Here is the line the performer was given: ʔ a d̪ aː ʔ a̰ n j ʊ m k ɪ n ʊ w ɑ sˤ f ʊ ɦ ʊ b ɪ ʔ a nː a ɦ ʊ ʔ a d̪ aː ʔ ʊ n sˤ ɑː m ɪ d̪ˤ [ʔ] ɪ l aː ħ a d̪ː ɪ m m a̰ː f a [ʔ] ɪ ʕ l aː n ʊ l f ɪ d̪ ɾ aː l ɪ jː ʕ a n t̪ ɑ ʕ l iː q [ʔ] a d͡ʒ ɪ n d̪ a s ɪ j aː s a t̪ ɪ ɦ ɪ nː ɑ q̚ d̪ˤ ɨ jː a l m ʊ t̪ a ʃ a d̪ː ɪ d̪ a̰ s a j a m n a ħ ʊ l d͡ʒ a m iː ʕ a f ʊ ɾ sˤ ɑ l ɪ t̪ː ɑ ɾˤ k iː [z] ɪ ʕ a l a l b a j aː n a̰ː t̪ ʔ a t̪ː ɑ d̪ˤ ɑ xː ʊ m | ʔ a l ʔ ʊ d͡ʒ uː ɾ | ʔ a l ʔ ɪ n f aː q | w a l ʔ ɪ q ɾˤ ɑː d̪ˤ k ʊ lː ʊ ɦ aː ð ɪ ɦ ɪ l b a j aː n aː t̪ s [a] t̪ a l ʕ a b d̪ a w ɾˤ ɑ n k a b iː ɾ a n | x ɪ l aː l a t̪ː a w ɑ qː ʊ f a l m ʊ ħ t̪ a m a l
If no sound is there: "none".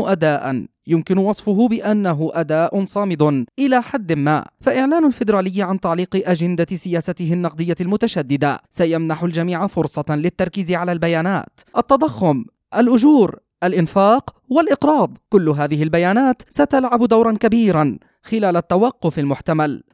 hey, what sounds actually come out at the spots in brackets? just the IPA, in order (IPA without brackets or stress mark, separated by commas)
ʔ, ʔ, ʔ, z, a